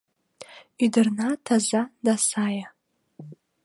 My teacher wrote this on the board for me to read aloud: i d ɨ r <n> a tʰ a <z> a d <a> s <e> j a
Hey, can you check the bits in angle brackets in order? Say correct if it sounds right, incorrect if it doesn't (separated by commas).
correct, correct, correct, incorrect